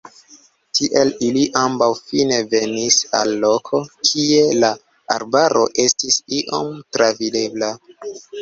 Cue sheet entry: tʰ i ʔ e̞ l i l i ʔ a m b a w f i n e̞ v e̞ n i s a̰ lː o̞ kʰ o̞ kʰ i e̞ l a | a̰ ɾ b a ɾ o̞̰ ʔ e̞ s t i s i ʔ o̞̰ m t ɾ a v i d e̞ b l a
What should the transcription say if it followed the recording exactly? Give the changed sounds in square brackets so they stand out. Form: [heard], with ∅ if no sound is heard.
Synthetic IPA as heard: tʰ i ʔ e̞ l i l i ʔ a m b a w f i n e̞ v e̞ n i s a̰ lː o̞ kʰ o̞ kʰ i e̞ l a | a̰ ɾ b a ɾ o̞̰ ʔ e̞ s t i s i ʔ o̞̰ m t ɾ a v i d e̞ b l a